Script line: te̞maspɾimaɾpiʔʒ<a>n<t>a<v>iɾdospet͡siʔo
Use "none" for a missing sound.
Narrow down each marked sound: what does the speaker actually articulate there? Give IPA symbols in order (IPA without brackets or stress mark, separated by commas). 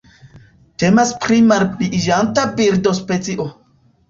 a, t, b